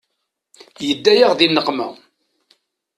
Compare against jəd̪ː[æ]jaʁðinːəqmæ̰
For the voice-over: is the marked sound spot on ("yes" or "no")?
yes